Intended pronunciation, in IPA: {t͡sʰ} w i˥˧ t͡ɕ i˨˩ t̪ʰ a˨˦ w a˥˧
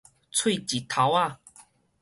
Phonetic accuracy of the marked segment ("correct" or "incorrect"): correct